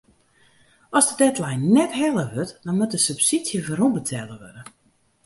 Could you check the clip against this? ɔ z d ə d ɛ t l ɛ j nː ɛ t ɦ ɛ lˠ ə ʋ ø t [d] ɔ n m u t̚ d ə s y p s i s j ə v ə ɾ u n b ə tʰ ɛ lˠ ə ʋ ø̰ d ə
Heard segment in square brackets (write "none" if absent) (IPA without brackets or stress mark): d